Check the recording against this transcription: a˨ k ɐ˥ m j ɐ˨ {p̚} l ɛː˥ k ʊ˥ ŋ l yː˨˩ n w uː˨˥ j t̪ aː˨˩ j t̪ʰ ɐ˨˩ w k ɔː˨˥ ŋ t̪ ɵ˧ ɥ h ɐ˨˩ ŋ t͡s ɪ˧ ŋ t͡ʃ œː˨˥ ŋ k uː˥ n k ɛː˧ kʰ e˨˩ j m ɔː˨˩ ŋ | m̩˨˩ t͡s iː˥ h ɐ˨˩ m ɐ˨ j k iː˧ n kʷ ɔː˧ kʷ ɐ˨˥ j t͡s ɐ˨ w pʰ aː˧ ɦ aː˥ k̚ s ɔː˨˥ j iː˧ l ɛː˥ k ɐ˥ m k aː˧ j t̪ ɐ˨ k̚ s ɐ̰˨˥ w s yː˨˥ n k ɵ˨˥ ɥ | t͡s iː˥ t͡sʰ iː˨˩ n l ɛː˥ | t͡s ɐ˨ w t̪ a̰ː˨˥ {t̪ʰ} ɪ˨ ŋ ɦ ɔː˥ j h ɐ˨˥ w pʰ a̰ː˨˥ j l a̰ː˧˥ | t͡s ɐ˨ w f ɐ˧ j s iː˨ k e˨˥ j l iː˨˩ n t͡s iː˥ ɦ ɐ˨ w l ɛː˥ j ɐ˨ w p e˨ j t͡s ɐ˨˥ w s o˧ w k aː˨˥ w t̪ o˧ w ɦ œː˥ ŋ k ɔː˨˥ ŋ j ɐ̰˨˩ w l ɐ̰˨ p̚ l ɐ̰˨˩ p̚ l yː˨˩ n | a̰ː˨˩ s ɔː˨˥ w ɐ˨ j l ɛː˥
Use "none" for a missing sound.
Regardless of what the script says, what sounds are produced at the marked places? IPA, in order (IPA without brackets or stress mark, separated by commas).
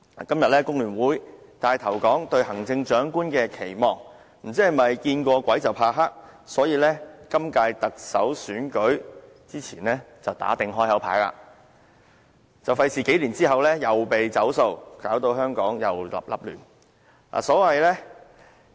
t̚, t̪